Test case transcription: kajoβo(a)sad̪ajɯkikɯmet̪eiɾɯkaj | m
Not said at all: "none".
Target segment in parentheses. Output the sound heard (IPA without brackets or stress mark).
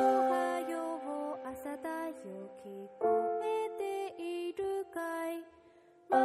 a